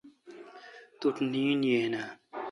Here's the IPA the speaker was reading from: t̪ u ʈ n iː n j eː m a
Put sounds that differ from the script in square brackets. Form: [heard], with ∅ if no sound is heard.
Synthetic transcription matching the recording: t̪ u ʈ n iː n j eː [n] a